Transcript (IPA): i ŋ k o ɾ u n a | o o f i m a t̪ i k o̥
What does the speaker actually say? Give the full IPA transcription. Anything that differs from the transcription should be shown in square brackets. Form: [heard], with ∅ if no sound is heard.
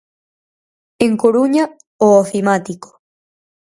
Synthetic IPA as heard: [e] ŋ k o ɾ u [ɲ] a | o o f i m a t̪ i k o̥

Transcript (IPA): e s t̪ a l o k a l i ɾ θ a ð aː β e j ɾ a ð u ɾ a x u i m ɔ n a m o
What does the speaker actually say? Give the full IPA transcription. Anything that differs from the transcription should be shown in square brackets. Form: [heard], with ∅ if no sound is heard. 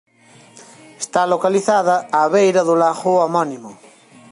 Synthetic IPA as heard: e s t̪ a l o k a l i [∅] θ a ð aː β e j ɾ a ð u [l] a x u [a] m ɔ n [i] m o

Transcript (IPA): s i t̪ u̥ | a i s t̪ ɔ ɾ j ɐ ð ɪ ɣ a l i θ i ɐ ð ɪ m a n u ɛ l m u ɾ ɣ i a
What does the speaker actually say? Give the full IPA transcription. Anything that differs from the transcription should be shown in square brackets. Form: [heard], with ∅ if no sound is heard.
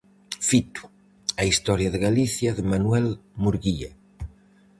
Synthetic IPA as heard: [f] i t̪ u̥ | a i s t̪ ɔ ɾ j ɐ ð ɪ ɣ a l i θ [j] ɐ ð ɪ m a n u ɛ l m u ɾ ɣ i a

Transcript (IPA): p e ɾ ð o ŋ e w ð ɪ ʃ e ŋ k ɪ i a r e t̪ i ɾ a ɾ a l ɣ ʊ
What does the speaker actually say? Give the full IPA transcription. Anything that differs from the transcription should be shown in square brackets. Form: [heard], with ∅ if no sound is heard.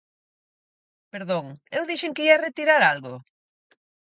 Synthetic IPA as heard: p e ɾ ð o ŋ e w ð [i] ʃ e ŋ k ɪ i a r e t̪ i ɾ a ɾ a l ɣ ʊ

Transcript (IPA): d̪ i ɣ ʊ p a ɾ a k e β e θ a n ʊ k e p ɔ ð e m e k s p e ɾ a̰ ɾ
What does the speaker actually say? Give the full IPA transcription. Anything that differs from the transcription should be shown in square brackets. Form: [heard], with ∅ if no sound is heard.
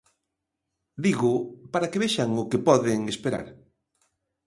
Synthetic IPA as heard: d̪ i ɣ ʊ p a ɾ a k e β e [ʃ] a [ŋ] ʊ k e p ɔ ð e [ŋ] e [∅] s p e ɾ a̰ ɾ

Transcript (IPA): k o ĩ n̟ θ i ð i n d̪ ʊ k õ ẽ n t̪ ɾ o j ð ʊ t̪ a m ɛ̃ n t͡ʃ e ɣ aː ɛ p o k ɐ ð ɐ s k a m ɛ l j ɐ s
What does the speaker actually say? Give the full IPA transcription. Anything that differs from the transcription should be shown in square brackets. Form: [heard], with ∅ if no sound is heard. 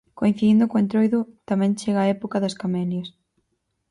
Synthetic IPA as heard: k o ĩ n̟ θ i ð i n d̪ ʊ k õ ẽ n t̪ ɾ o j ð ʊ t̪ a m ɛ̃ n t͡ʃ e ɣ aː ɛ p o k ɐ ð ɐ s k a m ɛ l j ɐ s

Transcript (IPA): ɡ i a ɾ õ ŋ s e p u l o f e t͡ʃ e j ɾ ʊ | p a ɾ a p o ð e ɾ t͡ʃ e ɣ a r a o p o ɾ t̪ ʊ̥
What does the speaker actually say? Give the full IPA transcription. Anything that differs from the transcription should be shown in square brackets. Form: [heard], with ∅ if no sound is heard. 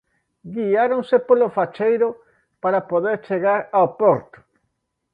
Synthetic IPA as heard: ɡ i a ɾ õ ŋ s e p [o] l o f [a] t͡ʃ e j ɾ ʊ | p a ɾ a p o ð e ɾ t͡ʃ e ɣ a [ɾ] a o p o ɾ t̪ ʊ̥

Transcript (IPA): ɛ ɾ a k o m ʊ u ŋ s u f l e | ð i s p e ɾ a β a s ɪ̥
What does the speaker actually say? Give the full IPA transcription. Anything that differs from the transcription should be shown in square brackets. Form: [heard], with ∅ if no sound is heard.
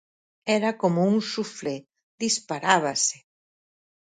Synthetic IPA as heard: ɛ ɾ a k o m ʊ u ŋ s u f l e | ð i s p [a] ɾ a β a s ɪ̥

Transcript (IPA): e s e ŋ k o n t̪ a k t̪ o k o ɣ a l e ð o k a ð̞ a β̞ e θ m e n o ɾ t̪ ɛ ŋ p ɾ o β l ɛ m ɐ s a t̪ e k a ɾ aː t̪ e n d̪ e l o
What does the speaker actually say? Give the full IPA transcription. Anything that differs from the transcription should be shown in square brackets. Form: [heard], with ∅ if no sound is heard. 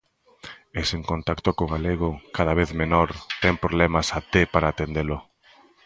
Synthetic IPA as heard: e s e ŋ k o n t̪ a k t̪ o k o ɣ a l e [ɣ] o k a ð̞ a β̞ e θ m e n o ɾ t̪ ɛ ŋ p ɾ o β l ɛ m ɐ s a t̪ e [p] a ɾ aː t̪ e n d̪ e l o

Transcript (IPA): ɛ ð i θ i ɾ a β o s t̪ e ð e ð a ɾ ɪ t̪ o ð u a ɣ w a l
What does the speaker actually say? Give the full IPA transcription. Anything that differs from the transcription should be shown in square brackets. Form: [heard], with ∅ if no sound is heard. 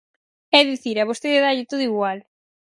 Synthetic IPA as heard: ɛ ð i θ i ɾ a β o s t̪ e ð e ð a [ʎ] ɪ t̪ o ð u [i] ɣ w a l

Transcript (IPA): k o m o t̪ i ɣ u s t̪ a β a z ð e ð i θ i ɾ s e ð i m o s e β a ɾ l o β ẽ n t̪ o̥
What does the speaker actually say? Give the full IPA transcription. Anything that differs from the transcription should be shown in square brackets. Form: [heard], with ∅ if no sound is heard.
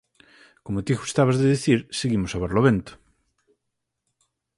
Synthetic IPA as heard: k o m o t̪ i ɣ u s t̪ a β a z ð e ð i θ i ɾ s e [ɣ] i m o s [a] β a ɾ l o β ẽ n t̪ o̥

